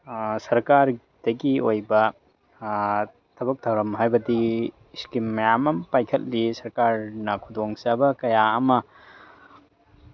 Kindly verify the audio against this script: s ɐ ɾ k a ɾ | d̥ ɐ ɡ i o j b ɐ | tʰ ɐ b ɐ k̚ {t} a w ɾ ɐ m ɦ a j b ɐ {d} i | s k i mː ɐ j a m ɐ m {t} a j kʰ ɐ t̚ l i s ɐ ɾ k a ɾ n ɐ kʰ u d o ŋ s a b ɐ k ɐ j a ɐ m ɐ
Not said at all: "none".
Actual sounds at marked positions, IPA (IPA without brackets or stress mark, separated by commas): tʰ, d, p